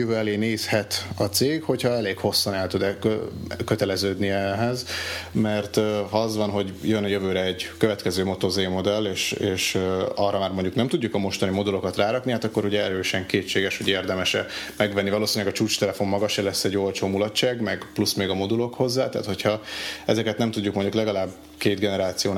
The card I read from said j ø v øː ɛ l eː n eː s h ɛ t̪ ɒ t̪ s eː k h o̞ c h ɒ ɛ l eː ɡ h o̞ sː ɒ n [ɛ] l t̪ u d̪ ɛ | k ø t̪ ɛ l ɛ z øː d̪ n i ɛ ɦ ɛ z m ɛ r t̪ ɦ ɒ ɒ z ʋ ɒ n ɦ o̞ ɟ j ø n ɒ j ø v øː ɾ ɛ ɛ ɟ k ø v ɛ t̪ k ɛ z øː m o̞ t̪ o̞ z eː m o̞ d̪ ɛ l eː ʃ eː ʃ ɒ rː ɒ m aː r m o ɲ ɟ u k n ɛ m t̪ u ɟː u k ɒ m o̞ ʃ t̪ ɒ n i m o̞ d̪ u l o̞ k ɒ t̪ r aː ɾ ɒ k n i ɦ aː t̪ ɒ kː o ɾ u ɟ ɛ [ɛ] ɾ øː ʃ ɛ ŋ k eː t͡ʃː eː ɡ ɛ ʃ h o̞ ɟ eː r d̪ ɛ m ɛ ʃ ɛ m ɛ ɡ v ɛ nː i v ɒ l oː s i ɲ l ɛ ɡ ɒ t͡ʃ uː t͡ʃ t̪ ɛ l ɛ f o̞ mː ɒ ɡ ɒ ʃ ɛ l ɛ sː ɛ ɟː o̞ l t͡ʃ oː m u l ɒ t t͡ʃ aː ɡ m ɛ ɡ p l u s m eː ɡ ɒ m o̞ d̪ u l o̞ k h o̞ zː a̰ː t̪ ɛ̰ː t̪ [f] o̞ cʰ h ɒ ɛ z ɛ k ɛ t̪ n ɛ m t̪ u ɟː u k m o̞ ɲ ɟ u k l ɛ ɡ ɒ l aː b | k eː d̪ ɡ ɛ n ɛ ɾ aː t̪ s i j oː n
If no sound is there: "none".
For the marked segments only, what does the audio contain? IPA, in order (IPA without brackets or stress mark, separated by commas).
ɛ, ɛ, h